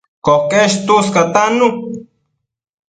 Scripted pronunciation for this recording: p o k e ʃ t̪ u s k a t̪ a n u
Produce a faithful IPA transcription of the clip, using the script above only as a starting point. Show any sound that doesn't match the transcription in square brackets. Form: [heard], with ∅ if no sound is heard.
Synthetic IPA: [k] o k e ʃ t̪ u s k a t̪ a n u